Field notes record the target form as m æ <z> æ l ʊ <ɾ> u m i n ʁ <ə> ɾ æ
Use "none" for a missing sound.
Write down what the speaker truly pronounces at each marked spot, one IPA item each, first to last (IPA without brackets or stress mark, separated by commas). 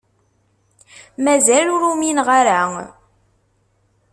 z, ɾ, a